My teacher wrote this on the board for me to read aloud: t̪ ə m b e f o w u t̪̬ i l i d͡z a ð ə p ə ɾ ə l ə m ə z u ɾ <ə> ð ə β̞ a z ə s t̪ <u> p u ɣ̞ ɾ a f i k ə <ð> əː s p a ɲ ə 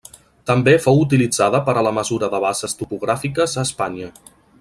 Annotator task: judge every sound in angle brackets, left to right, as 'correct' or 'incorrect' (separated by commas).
correct, correct, incorrect